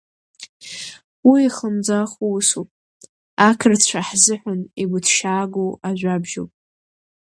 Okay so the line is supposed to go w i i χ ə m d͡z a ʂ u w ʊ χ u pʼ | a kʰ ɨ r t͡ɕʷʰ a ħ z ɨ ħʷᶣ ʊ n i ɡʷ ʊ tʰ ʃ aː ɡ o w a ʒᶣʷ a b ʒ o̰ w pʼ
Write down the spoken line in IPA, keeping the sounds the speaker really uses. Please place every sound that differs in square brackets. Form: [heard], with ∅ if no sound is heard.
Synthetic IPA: w i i χ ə m d͡z a [χ] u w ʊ [s] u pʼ | a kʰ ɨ r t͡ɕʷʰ a ħ z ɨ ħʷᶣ ʊ n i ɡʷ ʊ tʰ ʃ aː ɡ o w a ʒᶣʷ a b ʒ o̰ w pʼ

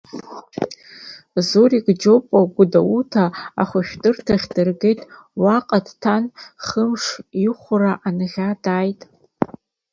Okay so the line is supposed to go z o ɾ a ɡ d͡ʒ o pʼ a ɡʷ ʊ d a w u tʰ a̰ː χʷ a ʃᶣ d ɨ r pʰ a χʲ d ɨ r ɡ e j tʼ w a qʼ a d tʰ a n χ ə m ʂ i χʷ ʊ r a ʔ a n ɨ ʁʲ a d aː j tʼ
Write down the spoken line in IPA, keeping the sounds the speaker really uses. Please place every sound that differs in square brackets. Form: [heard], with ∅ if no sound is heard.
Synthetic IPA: z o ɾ [i] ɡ d͡ʒ o pʼ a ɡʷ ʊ d a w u tʰ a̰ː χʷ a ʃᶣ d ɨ r [tʰ] a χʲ d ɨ r ɡ e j tʼ w a qʼ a d tʰ a n χ ə m ʂ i χʷ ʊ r a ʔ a n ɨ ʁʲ a d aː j tʼ

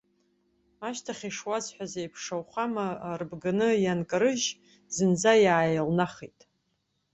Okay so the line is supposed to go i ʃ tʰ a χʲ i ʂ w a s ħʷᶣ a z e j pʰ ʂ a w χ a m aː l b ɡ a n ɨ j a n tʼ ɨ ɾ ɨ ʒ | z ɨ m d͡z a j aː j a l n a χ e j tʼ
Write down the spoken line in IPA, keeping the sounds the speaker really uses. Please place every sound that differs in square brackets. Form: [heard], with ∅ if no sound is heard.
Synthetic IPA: [a] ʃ tʰ a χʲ i ʂ w a [z] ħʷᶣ a z e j pʰ ʂ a w χ a m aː [r] b ɡ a n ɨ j a n [kʼ] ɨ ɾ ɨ ʒ | z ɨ [n] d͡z a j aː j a l n a χ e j tʼ

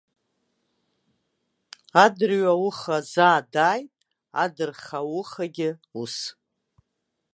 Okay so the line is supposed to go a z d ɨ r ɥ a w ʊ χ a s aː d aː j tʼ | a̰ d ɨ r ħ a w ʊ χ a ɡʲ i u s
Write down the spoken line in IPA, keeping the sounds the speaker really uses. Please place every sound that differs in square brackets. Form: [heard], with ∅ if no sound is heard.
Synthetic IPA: a [∅] d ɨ r ɥ a w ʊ χ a [z] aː d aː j tʼ | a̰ d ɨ r [χ] a w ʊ χ a ɡʲ [ɪ] u s

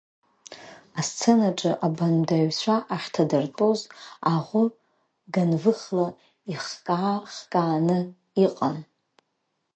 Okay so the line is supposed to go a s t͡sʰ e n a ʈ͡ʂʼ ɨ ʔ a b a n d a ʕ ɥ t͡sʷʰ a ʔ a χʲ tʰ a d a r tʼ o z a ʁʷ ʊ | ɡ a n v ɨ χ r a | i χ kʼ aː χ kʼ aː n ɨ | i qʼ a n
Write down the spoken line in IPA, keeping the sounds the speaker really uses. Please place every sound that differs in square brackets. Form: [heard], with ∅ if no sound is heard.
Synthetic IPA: a s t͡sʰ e n a ʈ͡ʂʼ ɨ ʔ a b a n d a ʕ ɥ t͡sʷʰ a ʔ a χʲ tʰ a d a r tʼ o z a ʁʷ ʊ | ɡ a n v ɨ χ [l] a | i χ kʼ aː χ kʼ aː n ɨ | i qʼ a n

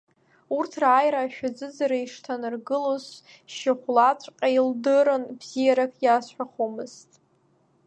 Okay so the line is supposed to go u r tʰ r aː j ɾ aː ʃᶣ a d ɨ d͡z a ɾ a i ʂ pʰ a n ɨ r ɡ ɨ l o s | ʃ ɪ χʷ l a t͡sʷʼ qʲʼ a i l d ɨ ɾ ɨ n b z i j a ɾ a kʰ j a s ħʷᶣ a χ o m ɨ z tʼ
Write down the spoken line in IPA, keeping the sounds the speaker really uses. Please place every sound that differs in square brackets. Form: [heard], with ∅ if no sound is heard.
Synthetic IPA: u r tʰ r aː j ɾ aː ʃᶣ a [d͡z] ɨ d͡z a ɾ a i ʂ [tʰ] a n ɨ r ɡ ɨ l o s | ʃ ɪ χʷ l a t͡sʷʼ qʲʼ a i l d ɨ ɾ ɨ n b z i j a ɾ a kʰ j a s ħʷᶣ a χ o m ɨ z tʼ

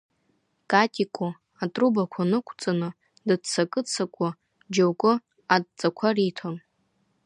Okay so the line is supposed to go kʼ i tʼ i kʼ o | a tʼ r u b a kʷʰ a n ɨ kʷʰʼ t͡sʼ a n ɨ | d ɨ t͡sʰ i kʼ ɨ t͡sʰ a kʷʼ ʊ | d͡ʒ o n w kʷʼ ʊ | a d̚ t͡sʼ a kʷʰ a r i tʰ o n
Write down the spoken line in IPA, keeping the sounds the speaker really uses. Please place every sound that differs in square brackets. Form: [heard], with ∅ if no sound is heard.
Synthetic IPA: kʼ [a] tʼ i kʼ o | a tʼ r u b a kʷʰ a n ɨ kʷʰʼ t͡sʼ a n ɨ | d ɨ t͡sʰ [a] kʼ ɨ t͡sʰ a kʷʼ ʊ | d͡ʒ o [∅] w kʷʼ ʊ | a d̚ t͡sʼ a kʷʰ a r i tʰ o n

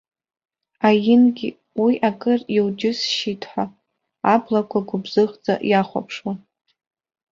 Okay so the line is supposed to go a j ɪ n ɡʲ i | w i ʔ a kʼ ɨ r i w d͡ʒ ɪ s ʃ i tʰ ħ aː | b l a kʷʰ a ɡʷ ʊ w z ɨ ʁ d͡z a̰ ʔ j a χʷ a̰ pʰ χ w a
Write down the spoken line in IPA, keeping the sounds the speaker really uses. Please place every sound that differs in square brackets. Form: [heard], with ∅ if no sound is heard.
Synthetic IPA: a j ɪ n ɡʲ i | w i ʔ a kʼ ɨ r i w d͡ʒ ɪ s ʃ i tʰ ħ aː | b l a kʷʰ a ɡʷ ʊ [b] z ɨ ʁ d͡z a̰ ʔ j a χʷ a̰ pʰ [ʂ] w a

